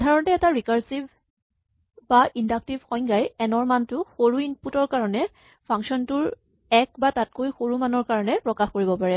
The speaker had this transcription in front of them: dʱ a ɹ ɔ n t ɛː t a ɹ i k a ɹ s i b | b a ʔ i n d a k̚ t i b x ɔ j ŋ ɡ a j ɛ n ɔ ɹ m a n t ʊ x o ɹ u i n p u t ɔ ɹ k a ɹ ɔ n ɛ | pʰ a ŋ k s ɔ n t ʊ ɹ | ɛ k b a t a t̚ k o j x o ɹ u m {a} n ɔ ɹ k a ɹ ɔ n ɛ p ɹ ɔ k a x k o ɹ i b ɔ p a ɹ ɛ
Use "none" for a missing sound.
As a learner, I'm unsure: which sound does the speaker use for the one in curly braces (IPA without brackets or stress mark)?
a